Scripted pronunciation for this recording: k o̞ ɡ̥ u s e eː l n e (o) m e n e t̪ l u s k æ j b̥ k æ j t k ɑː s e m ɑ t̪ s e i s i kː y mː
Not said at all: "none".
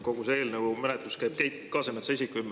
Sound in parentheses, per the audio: u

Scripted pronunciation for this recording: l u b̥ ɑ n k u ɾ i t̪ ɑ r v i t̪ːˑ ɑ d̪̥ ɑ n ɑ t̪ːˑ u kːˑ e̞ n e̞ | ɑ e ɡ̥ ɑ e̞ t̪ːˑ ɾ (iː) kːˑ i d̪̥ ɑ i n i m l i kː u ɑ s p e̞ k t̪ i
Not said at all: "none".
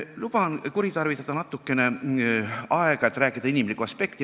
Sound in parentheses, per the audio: æː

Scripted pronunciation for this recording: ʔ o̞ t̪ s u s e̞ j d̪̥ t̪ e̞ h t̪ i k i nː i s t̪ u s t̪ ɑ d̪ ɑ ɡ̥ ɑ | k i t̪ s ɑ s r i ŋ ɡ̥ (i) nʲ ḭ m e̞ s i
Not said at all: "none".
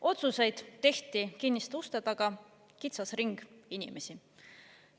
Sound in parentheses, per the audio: i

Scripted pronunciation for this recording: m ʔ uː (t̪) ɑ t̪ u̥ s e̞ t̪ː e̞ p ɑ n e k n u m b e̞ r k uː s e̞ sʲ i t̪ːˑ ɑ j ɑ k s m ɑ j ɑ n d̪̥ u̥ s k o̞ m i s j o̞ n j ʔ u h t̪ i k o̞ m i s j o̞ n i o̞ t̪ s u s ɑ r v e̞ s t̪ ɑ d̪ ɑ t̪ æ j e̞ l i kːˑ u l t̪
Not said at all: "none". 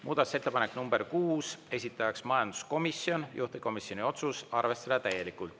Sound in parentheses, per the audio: d̪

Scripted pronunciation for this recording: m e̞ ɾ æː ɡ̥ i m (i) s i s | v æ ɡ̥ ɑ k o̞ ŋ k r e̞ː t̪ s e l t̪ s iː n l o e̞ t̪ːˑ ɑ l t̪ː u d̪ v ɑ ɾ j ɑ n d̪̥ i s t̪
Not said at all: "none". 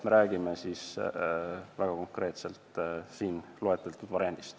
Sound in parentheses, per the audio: e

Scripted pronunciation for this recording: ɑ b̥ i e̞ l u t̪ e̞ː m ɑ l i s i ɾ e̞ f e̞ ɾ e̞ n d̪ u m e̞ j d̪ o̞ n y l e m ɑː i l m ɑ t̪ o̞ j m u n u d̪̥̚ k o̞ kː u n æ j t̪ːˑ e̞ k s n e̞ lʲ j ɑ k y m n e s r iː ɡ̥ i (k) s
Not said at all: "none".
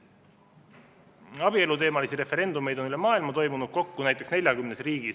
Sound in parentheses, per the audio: none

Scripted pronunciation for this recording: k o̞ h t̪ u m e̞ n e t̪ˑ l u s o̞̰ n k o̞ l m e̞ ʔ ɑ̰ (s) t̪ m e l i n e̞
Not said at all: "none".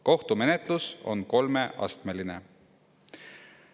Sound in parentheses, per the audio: s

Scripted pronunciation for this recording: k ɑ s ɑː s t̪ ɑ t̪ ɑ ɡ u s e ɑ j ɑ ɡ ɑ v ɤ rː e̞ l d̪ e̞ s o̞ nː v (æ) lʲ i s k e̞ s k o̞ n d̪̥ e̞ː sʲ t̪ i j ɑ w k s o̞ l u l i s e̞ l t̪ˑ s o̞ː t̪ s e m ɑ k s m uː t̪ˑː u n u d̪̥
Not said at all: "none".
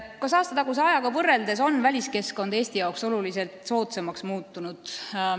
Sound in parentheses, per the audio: æ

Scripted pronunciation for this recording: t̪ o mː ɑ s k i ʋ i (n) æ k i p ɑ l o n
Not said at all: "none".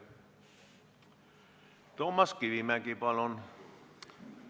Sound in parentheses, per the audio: m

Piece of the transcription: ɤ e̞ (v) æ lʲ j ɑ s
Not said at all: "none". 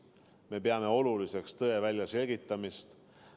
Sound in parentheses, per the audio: v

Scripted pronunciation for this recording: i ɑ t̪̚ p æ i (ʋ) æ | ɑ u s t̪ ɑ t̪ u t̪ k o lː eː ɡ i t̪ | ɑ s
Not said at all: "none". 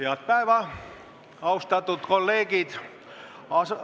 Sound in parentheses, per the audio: ʋ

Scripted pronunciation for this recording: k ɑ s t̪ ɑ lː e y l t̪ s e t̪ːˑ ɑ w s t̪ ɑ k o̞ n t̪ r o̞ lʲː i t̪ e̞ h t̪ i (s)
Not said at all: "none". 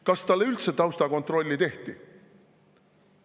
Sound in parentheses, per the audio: none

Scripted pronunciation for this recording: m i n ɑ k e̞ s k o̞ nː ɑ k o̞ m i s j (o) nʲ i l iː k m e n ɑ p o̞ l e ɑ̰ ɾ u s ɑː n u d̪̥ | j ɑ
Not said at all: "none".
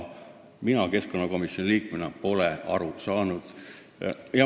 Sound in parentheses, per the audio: o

